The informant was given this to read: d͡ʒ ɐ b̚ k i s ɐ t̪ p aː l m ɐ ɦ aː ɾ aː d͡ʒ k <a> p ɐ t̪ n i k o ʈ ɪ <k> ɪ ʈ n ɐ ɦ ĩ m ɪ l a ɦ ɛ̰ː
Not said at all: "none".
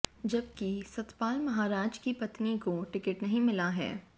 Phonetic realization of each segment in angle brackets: i, k

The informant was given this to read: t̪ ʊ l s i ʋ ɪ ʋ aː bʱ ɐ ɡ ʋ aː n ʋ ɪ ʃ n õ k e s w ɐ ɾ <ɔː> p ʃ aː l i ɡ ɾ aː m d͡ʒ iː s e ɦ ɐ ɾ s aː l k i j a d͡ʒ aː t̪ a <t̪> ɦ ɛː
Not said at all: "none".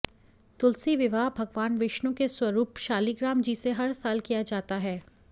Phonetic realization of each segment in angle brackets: uː, none

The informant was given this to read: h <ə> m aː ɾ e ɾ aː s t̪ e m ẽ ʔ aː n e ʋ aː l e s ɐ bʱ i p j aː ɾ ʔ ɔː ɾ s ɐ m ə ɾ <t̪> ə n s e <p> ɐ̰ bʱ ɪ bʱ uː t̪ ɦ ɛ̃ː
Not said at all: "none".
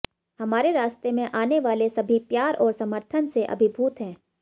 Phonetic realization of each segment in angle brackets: ɐ, t̪ʰ, ʔ

